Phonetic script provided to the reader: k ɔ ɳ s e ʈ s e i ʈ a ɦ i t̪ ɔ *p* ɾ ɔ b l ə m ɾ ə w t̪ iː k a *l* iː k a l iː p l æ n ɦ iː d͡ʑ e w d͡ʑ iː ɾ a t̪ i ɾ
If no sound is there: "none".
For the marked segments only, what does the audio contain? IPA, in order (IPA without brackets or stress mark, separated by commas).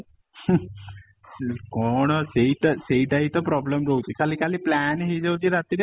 p, l